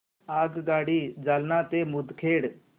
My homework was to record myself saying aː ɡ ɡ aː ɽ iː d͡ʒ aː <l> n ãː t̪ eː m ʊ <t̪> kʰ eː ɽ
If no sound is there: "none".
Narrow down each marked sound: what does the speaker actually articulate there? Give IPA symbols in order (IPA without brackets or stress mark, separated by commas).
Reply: l, d̪